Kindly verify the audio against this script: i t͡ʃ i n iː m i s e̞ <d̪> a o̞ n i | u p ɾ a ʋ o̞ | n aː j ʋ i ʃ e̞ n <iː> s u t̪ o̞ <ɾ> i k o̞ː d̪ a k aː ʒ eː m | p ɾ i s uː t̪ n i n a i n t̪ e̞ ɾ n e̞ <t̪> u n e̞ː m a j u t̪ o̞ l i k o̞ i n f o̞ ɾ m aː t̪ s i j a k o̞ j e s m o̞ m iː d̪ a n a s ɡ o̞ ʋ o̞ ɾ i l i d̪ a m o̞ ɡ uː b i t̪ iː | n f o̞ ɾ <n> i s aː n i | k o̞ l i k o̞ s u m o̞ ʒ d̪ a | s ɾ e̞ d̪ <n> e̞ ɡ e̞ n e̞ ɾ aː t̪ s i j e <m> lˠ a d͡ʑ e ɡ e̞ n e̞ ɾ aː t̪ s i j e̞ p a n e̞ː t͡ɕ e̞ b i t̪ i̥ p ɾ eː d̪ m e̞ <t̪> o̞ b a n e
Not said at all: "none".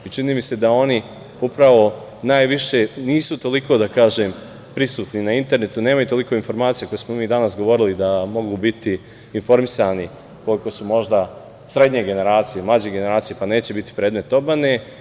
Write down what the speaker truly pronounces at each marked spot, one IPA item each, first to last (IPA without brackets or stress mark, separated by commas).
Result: d̪, iː, l, t̪, m, ɲ, m, t̪